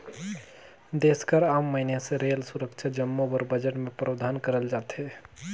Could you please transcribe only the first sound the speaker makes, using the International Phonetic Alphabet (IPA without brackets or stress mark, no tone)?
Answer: d̪